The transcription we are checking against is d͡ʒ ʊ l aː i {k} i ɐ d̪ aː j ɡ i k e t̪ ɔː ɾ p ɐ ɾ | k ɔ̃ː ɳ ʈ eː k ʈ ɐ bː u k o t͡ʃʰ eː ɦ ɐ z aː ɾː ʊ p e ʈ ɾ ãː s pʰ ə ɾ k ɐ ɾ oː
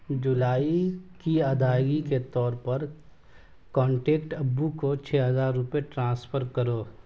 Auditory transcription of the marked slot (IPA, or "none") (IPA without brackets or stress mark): k